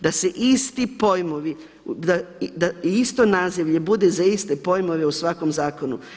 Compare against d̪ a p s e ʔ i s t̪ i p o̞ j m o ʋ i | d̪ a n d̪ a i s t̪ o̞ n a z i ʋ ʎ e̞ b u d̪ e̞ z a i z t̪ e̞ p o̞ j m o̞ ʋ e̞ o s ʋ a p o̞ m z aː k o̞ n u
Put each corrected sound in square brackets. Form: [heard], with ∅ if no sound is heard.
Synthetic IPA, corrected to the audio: d̪ a [∅] s e ʔ i s t̪ i p o̞ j m o ʋ i | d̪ a [∅] d̪ a i s t̪ o̞ n a z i ʋ ʎ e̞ b u d̪ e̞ z a i [s] t̪ e̞ p o̞ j m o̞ ʋ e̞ [u] s ʋ a [k] o̞ m z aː k o̞ n u

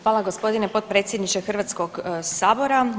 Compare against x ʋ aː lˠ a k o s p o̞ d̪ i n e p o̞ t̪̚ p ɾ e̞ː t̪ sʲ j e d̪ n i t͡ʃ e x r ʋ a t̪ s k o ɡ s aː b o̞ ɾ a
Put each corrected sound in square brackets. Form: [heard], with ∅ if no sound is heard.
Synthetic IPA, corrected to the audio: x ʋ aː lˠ a [ɡ] o s p o̞ d̪ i n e p o̞ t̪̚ p ɾ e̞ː t̪ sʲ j e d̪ n i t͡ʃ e x r ʋ a t̪ s k o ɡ s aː b o̞ ɾ a

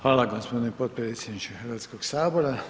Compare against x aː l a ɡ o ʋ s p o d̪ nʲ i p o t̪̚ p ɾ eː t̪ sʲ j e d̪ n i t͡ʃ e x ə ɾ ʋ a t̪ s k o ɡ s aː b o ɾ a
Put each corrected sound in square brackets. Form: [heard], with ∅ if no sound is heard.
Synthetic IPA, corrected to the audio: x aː l a ɡ o [∅] s p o d̪ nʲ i p o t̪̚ p ɾ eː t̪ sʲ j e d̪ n i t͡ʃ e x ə ɾ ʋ a t̪ s k o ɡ s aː b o ɾ a

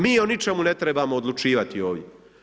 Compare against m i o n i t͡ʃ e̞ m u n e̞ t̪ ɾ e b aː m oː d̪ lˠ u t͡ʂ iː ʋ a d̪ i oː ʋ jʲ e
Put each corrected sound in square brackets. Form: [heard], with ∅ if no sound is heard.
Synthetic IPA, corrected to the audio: m [iː] o n i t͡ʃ e̞ m u n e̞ t̪ ɾ e b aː m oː d̪ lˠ u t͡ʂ iː ʋ a [t̪] i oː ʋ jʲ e

